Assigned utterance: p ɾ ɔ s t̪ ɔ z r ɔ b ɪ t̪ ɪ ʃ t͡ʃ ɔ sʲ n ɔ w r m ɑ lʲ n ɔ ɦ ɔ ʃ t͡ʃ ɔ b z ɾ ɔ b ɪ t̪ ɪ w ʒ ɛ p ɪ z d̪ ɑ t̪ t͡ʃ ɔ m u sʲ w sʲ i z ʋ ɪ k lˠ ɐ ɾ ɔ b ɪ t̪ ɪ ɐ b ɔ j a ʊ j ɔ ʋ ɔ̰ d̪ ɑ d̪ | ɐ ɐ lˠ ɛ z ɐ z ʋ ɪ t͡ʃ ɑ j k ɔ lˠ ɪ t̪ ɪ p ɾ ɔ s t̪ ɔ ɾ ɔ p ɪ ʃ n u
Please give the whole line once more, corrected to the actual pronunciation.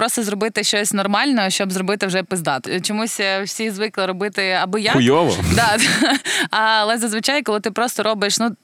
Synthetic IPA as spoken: p ɾ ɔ s t̪ ɔ z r ɔ b ɪ t̪ ɪ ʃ t͡ʃ ɔ sʲ n ɔ r m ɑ lʲ n ɔ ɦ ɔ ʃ t͡ʃ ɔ b z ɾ ɔ b ɪ t̪ ɪ w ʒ ɛ p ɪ z d̪ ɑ t̪ t͡ʃ ɔ m u sʲ w sʲ i z ʋ ɪ k lˠ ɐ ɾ ɔ b ɪ t̪ ɪ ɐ b ɔ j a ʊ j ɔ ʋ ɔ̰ d̪ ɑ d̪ | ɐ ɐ lˠ ɛ z ɐ z ʋ ɪ t͡ʃ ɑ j k ɔ lˠ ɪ t̪ ɪ p ɾ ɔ s t̪ ɔ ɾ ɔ b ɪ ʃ n u